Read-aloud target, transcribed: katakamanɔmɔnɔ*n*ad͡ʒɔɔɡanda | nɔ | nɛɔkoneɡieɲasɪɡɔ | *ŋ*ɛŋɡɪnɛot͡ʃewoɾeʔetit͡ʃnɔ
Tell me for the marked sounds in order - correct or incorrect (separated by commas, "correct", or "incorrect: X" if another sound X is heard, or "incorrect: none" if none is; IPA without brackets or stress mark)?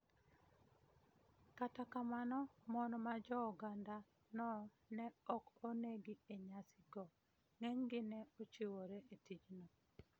incorrect: m, correct